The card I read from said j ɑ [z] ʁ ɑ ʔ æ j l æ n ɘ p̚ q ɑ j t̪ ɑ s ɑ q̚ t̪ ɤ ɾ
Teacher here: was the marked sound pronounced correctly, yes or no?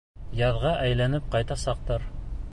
no